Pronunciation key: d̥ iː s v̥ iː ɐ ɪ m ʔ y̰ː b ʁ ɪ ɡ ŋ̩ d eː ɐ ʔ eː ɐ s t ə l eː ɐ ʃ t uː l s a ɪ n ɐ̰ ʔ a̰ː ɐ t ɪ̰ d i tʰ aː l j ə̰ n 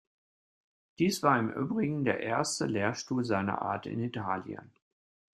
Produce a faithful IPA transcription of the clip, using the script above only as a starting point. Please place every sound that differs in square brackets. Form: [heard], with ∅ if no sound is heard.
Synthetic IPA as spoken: d̥ iː s v̥ [aː] ɐ ɪ m ʔ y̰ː b ʁ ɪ ɡ ŋ̩ d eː ɐ ʔ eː ɐ s t ə l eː ɐ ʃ t uː l [z] a ɪ n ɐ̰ ʔ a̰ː ɐ t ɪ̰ [n] i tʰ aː l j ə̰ n

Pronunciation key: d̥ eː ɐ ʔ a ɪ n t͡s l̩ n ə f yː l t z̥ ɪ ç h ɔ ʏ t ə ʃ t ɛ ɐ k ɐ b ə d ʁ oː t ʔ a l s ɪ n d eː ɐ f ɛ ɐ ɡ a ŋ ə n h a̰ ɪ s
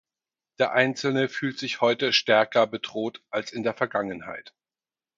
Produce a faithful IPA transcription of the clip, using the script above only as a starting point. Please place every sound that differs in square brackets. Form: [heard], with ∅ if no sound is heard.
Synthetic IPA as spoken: d̥ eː ɐ ʔ a ɪ n t͡s l̩ n ə f yː l t z̥ ɪ ç h ɔ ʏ t ə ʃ t ɛ ɐ k ɐ b ə d ʁ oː t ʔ a l s ɪ n d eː ɐ f ɛ ɐ ɡ a ŋ ə n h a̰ ɪ [t]

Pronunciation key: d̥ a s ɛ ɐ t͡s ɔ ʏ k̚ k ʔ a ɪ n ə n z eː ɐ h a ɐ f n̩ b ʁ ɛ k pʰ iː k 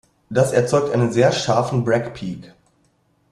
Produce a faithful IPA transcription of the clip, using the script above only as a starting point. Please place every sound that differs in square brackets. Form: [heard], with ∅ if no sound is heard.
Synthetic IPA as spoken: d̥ a s ɛ ɐ t͡s ɔ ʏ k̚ [t] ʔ a ɪ n ə n z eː ɐ [ʃ] a ɐ f n̩ b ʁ ɛ k pʰ iː k

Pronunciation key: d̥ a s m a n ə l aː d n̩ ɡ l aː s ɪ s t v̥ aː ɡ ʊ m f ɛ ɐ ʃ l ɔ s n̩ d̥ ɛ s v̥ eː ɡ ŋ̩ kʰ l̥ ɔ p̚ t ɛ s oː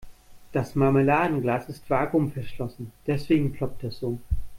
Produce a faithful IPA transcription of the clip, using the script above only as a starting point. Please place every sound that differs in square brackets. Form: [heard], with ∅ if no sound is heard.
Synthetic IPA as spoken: d̥ a s m a [m] ə l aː d n̩ ɡ l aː s ɪ s t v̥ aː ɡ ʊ m f ɛ ɐ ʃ l ɔ s n̩ d̥ ɛ s v̥ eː ɡ ŋ̩ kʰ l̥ ɔ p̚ t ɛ s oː

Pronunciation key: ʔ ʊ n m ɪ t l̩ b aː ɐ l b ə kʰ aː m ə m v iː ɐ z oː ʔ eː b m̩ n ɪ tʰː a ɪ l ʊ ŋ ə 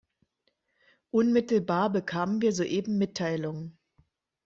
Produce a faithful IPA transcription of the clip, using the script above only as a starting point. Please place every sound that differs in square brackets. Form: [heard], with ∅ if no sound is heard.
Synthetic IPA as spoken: ʔ ʊ n m ɪ t l̩ b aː ɐ [∅] b ə kʰ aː m ə [n] v iː ɐ z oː ʔ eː b m̩ [m] ɪ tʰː a ɪ l ʊ ŋ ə

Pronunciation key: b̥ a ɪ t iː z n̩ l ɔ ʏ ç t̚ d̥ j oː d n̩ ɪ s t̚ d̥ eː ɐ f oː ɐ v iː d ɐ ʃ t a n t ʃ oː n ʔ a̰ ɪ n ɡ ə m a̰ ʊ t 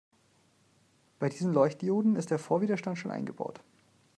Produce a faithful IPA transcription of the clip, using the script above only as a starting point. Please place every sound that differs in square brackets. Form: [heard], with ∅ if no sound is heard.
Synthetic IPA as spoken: b̥ a ɪ [d] iː z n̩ l ɔ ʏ ç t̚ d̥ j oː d n̩ ɪ s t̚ d̥ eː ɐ f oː ɐ v iː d ɐ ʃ t a n t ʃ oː n ʔ a̰ ɪ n ɡ ə [b] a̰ ʊ t

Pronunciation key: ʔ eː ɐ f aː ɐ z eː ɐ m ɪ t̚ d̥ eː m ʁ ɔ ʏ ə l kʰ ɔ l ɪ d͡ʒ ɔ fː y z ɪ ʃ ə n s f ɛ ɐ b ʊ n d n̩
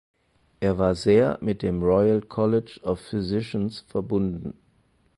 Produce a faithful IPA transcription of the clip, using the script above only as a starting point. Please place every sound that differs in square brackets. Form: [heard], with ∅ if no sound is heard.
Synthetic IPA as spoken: ʔ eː ɐ [v] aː ɐ z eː ɐ m ɪ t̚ d̥ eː m ʁ ɔ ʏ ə l kʰ ɔ l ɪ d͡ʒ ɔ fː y z ɪ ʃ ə n s f ɛ ɐ b ʊ n d n̩

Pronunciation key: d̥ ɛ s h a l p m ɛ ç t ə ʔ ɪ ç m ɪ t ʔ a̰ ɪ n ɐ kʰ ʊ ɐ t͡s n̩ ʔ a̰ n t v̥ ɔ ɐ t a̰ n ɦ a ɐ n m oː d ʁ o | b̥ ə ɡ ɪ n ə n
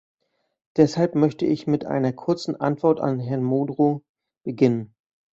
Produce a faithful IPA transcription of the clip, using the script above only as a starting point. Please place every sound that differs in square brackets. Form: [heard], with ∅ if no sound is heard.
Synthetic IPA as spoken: d̥ ɛ s h a l p m [œ] ç t ə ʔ ɪ ç m ɪ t ʔ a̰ ɪ n ɐ kʰ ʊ ɐ t͡s n̩ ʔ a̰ n t v̥ ɔ ɐ t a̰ n ɦ [ɛ] ɐ n m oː d ʁ o | b̥ ə ɡ ɪ n ə n

